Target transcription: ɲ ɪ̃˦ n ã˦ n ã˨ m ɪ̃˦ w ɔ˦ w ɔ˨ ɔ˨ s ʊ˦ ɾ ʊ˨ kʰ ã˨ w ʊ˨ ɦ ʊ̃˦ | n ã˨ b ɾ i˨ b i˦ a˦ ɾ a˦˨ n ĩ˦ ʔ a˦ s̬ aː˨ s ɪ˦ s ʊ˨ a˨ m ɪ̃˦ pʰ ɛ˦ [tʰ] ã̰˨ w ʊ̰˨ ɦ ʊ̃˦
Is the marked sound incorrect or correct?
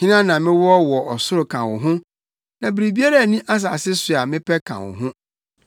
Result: incorrect